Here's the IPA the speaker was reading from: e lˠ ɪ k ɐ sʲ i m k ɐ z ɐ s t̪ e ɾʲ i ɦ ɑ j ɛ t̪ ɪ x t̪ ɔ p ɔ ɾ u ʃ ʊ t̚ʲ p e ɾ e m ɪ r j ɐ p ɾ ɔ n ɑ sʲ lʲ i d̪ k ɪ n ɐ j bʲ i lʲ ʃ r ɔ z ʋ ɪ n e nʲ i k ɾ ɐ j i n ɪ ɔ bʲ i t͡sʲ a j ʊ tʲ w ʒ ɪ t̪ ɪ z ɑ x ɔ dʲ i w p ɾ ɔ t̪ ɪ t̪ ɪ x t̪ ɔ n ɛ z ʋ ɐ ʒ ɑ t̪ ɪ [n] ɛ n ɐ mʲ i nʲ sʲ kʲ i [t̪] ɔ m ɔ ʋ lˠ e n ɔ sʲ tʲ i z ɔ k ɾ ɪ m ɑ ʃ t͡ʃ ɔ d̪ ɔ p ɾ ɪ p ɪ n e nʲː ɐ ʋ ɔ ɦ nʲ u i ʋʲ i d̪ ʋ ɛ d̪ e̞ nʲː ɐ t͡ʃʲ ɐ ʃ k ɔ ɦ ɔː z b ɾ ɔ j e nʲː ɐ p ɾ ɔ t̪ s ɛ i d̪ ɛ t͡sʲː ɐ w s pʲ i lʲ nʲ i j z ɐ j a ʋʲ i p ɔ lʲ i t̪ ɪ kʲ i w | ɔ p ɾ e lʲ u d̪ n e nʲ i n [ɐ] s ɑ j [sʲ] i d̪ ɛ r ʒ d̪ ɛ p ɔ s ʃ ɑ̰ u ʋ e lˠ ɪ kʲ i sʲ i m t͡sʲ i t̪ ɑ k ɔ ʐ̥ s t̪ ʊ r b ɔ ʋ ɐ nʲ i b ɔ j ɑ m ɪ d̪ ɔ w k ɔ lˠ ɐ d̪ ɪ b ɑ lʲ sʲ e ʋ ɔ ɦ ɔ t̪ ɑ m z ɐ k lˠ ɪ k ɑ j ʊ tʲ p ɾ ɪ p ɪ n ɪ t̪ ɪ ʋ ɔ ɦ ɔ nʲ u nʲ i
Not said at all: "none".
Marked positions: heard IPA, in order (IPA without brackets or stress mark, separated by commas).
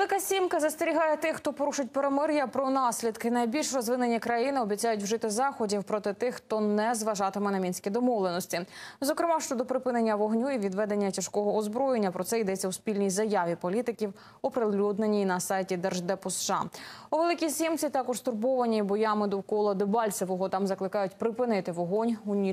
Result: m, d̪, ɐ, tʲ